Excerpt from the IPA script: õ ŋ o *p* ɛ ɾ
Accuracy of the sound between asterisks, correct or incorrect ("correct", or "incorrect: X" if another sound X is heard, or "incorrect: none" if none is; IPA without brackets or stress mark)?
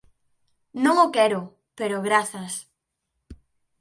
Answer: incorrect: k